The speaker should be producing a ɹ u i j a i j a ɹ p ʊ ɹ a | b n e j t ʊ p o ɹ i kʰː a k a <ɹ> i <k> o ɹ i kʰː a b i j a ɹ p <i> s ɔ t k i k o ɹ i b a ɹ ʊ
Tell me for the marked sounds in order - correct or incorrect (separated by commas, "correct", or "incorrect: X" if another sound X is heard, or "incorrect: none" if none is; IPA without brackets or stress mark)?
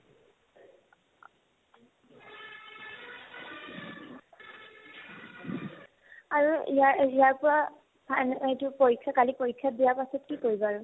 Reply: incorrect: l, incorrect: p, incorrect: a